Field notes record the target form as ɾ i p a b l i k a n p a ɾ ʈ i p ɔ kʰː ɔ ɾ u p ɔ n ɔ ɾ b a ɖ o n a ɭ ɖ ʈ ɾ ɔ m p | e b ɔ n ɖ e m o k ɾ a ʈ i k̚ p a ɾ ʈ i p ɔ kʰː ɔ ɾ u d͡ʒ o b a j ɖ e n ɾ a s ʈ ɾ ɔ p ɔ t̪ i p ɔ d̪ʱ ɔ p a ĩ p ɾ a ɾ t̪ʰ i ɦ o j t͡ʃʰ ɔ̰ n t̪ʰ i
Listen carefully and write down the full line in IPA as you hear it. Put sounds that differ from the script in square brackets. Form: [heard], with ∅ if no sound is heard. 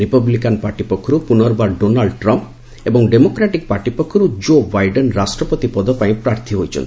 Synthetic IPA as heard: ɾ i p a b l i k a n p a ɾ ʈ i p ɔ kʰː ɔ ɾ u p [u] n ɔ ɾ b a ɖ o n a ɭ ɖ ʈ ɾ ɔ m p | e b ɔ [ŋ] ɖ e m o k ɾ a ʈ i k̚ p a ɾ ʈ i p ɔ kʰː ɔ ɾ u d͡ʒ o b a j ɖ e n ɾ a s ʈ ɾ ɔ p ɔ t̪ i p ɔ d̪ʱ ɔ p a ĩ p ɾ a ɾ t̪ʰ i ɦ o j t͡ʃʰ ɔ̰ n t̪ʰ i

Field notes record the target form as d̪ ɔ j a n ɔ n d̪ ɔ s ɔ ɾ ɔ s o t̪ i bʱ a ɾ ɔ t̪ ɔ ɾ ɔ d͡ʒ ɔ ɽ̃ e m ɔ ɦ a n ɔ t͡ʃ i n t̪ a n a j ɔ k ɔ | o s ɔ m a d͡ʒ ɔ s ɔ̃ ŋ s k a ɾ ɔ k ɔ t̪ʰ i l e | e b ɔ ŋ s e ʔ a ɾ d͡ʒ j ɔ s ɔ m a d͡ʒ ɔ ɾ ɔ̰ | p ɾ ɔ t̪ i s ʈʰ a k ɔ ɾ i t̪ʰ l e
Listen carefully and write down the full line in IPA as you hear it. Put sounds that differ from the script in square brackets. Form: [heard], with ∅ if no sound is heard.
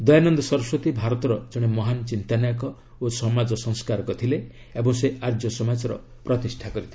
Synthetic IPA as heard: d̪ ɔ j a n ɔ n d̪ ɔ s ɔ ɾ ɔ s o t̪ i bʱ a ɾ ɔ t̪ ɔ ɾ ɔ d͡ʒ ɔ ɽ̃ e m ɔ ɦ a n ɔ t͡ʃ i n t̪ a n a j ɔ k ɔ | o s ɔ m a d͡ʒ ɔ s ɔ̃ ŋ s k a ɾ ɔ k ɔ t̪ʰ i l e | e b ɔ ŋ s e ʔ a ɾ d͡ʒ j ɔ s ɔ m a d͡ʒ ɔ ɾ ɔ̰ | p ɾ ɔ t̪ i s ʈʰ a k ɔ ɾ i t̪ʰ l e

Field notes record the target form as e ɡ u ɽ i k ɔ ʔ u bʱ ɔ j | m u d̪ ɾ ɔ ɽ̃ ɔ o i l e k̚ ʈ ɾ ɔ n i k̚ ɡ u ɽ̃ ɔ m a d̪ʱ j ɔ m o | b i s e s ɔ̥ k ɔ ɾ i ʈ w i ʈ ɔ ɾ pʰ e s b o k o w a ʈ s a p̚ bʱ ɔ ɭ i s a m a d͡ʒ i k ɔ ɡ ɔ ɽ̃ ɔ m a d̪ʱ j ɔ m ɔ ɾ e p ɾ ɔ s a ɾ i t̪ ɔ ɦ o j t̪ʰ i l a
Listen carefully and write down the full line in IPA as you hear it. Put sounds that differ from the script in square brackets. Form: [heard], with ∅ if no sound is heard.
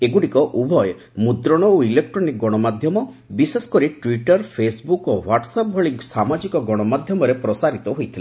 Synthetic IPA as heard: e ɡ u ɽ i k ɔ ʔ u bʱ ɔ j | m u d̪ ɾ ɔ ɽ̃ ɔ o i l e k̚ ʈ ɾ ɔ n i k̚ ɡ [ɔ] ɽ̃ ɔ m a d̪ʱ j ɔ m [ɔ] | b i s e s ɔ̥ k ɔ ɾ i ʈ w i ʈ ɔ ɾ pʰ e s b [u] k o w a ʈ s a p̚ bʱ ɔ ɭ i s a m a d͡ʒ i k ɔ ɡ ɔ ɽ̃ ɔ m a d̪ʱ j ɔ m ɔ ɾ e p ɾ ɔ s a ɾ i t̪ ɔ ɦ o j t̪ʰ i l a

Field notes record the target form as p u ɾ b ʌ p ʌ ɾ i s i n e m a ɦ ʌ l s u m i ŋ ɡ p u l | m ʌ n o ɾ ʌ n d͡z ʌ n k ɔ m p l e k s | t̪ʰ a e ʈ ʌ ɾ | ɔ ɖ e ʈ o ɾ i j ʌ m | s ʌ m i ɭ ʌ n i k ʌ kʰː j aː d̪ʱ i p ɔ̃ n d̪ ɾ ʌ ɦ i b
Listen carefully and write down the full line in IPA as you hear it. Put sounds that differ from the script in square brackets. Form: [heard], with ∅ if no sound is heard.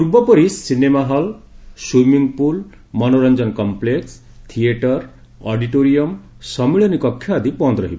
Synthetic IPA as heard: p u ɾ b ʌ p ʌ ɾ i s i n e m a ɦ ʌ l s u m i ŋ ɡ p u l | m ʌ n o ɾ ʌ n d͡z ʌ n k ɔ m p l e k s | t̪ʰ [i] e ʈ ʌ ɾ | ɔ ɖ [i] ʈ o ɾ i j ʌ m | s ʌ m i ɭ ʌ n i k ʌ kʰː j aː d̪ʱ i p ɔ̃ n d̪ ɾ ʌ ɦ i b

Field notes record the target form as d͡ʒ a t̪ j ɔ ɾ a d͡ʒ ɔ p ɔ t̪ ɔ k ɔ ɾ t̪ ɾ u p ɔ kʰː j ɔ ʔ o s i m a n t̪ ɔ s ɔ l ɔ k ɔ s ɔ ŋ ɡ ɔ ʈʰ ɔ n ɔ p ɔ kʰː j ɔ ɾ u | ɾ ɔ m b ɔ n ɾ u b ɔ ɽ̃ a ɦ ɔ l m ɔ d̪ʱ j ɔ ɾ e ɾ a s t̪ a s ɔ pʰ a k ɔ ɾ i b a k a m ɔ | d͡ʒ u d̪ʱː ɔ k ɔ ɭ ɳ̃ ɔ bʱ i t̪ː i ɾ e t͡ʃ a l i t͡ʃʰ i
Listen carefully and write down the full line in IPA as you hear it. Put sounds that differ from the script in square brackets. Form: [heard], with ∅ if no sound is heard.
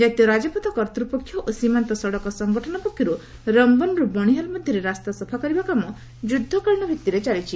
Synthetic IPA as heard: d͡ʒ a t̪ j ɔ ɾ a d͡ʒ ɔ p ɔ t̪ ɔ k ɔ ɾ t̪ ɾ u p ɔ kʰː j ɔ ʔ o s i m a n t̪ ɔ s ɔ [ɽ] ɔ k ɔ s ɔ ŋ ɡ ɔ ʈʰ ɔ n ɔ p ɔ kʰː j ɔ ɾ u | ɾ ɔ m b ɔ n ɾ u b ɔ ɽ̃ [i] ɦ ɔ l m ɔ d̪ʱ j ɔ ɾ e ɾ a s t̪ a s ɔ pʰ a k ɔ ɾ i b a k a m ɔ | d͡ʒ u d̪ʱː ɔ k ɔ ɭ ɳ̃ ɔ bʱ i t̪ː i ɾ e t͡ʃ a l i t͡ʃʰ i

